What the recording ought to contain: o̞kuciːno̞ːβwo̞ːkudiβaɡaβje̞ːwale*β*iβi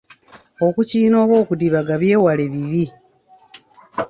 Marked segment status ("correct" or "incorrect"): correct